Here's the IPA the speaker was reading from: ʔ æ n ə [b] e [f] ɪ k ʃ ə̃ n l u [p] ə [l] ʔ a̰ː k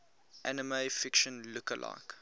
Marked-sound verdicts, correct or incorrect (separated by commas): incorrect, correct, incorrect, correct